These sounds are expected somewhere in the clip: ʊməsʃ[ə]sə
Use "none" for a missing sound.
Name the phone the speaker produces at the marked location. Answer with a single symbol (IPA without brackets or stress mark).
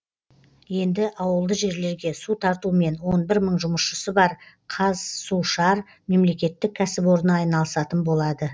ə